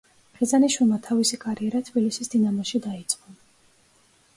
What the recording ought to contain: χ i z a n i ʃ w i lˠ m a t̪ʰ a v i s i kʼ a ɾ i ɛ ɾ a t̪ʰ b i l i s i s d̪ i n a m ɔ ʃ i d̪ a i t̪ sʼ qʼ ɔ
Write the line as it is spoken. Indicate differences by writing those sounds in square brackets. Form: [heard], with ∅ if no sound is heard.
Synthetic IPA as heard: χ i z a n i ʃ w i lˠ m a t̪ʰ a v i s i kʼ a ɾ i ɛ ɾ a t̪ʰ b i l i s i s d̪ i n a m ɔ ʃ i d̪ a i t̪ sʼ qʼ ɔ

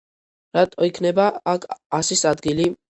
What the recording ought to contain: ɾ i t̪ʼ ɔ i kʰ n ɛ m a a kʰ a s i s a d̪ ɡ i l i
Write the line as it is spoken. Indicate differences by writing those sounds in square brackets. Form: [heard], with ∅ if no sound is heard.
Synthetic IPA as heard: ɾ [a] t̪ʼ ɔ i kʰ n ɛ [b] a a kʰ a s i s a d̪ ɡ i l i

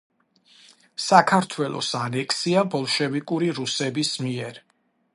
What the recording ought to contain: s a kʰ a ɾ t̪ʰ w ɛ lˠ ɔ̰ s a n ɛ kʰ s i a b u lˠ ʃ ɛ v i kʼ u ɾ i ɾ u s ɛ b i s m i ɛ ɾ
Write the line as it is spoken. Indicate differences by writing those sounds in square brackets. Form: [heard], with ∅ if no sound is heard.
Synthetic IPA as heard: s a kʰ a ɾ t̪ʰ w ɛ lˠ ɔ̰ s a n ɛ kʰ s i a b [ɔ] lˠ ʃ ɛ v i kʼ u ɾ i ɾ u s ɛ b i s m i ɛ ɾ

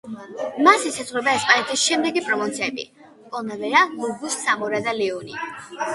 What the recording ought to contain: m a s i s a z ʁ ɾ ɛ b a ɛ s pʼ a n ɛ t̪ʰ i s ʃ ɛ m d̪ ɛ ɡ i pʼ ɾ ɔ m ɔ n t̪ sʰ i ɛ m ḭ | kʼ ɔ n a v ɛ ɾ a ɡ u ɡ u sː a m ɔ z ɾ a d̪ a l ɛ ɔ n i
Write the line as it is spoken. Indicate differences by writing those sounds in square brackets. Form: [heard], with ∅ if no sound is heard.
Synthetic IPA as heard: m a s i s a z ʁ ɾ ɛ b a ɛ s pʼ a n ɛ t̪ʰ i s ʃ ɛ m d̪ ɛ ɡ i pʼ ɾ ɔ m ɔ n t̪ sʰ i ɛ [b] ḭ | kʼ ɔ n a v ɛ ɾ a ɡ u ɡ u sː a m ɔ [∅] ɾ a d̪ a l ɛ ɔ n i

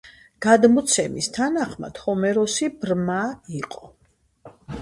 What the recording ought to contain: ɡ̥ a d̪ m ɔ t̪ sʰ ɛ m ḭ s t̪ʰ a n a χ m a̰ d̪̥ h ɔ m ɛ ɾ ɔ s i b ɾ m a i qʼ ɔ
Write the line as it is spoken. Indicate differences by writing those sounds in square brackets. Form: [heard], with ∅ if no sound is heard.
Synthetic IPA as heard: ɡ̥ a d̪ m ɔ t̪ sʰ ɛ m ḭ s t̪ʰ a n a χ m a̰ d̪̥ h ɔ m ɛ ɾ ɔ s i b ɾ m a i qʼ ɔ

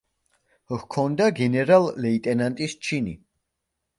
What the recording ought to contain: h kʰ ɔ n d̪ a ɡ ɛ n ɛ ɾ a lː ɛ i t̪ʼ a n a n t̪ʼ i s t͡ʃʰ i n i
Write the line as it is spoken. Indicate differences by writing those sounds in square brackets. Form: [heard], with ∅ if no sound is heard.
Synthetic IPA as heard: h kʰ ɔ n d̪ a ɡ ɛ n ɛ ɾ a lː ɛ i t̪ʼ [ɛ] n a n t̪ʼ i s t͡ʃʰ i n i

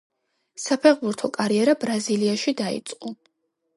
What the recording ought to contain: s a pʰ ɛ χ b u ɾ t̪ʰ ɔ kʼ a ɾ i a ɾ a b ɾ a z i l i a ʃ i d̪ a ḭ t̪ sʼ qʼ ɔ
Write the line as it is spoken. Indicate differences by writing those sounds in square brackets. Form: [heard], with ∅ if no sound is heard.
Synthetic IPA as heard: s a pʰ ɛ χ b u ɾ t̪ʰ ɔ kʼ a ɾ i [ɛ] ɾ a b ɾ a z i l i a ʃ i d̪ a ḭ t̪ sʼ qʼ ɔ

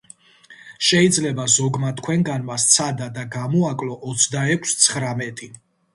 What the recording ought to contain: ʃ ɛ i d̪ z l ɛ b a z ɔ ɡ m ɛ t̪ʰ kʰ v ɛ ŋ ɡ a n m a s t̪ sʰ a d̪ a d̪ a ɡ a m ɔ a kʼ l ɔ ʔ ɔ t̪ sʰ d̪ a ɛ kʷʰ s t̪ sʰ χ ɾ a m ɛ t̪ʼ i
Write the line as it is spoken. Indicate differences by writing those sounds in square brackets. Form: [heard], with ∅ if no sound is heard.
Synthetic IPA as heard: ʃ ɛ i d̪ z l ɛ b a z ɔ ɡ m [a] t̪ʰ kʰ [w] ɛ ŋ ɡ a n m a s t̪ sʰ a d̪ a d̪ a ɡ a m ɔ a kʼ l ɔ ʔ ɔ t̪ sʰ d̪ a ɛ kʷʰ s t̪ sʰ χ ɾ a m ɛ t̪ʼ i

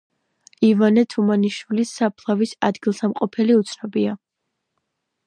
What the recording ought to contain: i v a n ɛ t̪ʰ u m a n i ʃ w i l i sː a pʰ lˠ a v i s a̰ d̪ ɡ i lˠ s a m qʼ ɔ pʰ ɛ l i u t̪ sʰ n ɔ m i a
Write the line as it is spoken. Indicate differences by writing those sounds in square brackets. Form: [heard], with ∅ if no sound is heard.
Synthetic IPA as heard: i v a n ɛ t̪ʰ u m a n i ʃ w i l i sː a pʰ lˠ a v i s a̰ d̪ ɡ i lˠ s a m qʼ ɔ pʰ ɛ l i u t̪ sʰ n ɔ [b] i a

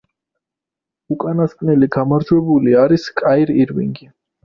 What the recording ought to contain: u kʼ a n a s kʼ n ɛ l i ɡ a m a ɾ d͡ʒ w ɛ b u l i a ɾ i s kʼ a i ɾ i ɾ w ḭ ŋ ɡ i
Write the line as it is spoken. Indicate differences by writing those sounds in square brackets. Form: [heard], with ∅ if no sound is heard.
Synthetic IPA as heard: u kʼ a n a s kʼ n ɛ l i ɡ a m a ɾ d͡ʒ w ɛ b u l i a ɾ i s kʼ a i ɾ i ɾ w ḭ ŋ ɡ i

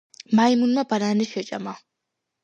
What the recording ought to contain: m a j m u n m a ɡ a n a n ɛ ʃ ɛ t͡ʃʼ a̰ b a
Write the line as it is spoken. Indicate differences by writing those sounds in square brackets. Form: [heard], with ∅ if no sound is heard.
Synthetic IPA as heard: m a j m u n m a [b] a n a n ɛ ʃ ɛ t͡ʃʼ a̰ [m] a

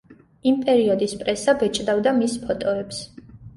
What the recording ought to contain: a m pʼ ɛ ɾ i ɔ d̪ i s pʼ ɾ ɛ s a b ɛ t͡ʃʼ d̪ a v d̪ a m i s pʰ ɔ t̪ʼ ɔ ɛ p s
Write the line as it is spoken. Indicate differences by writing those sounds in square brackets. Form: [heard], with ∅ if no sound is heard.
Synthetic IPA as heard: [i] m pʼ ɛ ɾ i ɔ d̪ i s pʼ ɾ ɛ s a b ɛ t͡ʃʼ d̪ a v d̪ a m i s pʰ ɔ t̪ʼ ɔ ɛ p s

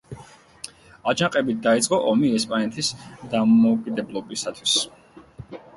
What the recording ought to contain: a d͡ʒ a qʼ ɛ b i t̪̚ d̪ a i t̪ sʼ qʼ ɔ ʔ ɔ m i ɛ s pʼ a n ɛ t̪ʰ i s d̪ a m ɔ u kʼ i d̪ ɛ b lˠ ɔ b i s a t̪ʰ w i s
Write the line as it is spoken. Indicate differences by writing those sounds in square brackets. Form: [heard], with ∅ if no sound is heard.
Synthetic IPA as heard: a d͡ʒ a qʼ ɛ b i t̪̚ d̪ a i t̪ sʼ qʼ ɔ ʔ ɔ m i ɛ s pʼ a n ɛ t̪ʰ i s d̪ a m ɔ u kʼ i d̪ ɛ b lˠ ɔ b i s a t̪ʰ w i s

